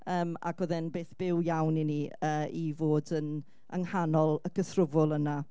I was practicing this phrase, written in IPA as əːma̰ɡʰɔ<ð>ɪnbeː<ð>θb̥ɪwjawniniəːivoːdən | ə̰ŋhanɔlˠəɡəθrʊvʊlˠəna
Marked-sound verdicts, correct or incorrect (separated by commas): correct, incorrect